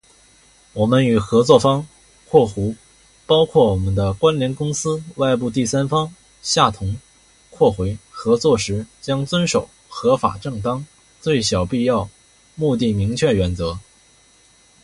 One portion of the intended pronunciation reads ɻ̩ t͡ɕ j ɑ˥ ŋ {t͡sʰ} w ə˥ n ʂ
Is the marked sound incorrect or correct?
incorrect